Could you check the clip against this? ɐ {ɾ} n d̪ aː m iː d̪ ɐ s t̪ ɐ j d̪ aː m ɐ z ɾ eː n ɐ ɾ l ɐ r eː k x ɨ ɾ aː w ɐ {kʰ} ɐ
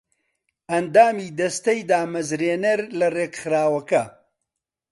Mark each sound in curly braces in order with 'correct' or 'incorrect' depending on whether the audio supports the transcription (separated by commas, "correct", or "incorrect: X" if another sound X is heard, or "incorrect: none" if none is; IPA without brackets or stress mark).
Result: incorrect: none, incorrect: k